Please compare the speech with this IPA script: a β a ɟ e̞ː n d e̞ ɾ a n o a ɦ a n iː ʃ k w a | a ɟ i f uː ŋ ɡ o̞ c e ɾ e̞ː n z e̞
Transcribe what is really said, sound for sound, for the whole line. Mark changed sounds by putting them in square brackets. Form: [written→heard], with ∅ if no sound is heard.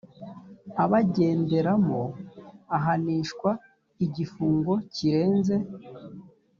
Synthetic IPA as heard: a β a ɟ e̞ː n d e̞ ɾ a [n→m] o a ɦ a n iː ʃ k w a | [a→i] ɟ i f uː ŋ ɡ o̞ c [e→i] ɾ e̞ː n z e̞